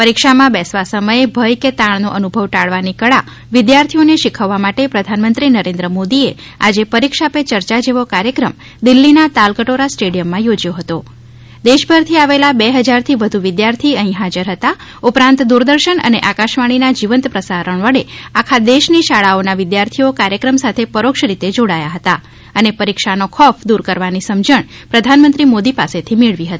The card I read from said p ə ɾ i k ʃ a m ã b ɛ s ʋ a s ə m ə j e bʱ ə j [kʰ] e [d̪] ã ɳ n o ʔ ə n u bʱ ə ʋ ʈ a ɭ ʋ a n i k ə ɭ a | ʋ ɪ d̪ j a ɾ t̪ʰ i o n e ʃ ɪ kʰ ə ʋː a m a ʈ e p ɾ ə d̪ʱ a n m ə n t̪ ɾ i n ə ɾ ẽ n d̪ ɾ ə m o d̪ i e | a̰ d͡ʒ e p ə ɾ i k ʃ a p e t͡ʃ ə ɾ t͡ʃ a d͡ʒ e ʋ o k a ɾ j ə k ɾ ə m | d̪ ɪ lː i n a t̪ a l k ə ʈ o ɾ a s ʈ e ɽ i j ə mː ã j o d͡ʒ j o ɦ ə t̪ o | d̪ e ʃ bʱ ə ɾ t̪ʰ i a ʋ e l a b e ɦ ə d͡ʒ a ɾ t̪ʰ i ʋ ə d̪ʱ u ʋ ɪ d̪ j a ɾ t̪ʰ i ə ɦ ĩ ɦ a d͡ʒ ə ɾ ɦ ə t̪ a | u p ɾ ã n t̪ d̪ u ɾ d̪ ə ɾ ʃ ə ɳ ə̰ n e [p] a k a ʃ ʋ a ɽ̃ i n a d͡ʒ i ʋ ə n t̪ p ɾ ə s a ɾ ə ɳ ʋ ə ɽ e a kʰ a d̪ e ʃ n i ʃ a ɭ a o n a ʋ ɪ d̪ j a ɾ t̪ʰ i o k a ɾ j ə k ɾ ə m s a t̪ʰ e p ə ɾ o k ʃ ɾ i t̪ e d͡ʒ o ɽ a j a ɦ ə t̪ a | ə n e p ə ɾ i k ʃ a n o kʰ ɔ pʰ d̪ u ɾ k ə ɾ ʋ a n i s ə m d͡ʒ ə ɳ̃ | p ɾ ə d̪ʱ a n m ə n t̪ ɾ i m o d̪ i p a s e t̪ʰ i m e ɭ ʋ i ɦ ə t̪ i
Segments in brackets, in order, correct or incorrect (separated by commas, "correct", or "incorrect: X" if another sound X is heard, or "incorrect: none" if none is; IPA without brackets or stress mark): incorrect: k, incorrect: t̪, incorrect: ʔ